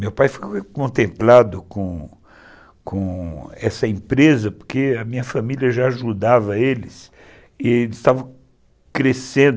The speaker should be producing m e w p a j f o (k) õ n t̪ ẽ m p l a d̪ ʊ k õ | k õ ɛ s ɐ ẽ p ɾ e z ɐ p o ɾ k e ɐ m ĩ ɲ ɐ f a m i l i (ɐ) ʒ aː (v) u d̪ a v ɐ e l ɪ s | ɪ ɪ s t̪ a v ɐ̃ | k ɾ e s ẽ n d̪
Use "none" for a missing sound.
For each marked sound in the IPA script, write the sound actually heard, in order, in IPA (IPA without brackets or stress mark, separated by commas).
k, ɐ, ʒ